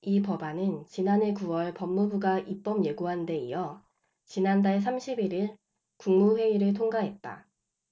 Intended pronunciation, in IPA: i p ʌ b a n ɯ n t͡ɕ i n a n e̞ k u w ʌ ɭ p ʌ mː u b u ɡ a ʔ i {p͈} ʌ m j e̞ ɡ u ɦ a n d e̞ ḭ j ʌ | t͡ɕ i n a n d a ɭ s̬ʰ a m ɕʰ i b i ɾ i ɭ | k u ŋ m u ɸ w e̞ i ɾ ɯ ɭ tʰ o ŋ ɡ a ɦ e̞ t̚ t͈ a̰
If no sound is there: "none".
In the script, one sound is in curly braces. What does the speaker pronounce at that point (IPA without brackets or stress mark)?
p͈